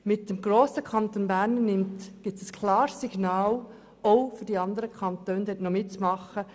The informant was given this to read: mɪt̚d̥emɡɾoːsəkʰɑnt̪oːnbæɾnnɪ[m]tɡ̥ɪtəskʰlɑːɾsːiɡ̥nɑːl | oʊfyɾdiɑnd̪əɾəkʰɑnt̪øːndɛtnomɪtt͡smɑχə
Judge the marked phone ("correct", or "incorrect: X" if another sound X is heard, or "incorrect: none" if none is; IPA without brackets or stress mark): correct